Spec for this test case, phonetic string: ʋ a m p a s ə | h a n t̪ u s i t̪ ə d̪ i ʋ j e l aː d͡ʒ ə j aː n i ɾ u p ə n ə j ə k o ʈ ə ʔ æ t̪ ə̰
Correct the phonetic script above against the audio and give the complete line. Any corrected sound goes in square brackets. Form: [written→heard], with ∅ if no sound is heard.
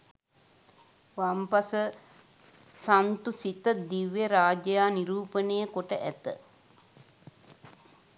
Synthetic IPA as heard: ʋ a m p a s ə | [h→s] a n t̪ u s i t̪ ə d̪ i ʋ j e [l→ɾ] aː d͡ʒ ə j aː n i ɾ [u→uː] p ə n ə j ə k o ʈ ə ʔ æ t̪ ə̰